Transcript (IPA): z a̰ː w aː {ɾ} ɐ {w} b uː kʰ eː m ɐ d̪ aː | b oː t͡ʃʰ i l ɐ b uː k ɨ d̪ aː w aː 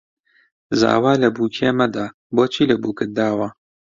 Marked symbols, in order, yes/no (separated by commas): no, no